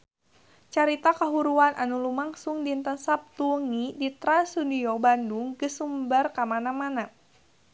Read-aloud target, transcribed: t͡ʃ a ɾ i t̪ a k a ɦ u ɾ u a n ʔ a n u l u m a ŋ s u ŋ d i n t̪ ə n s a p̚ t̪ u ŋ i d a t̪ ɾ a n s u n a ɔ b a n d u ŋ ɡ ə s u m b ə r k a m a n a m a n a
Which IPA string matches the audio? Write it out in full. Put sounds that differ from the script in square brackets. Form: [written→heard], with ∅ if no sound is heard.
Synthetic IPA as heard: t͡ʃ a ɾ i t̪ a k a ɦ u ɾ u a n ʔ a n u l u m a ŋ s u ŋ d i n t̪ ə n s a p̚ t̪ u ŋ i d [a→i] t̪ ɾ a n s u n [a→i] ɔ b a n d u ŋ ɡ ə s u m b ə r k a m a n a m a n a